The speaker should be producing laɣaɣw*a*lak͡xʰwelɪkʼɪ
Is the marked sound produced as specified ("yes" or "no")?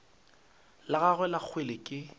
no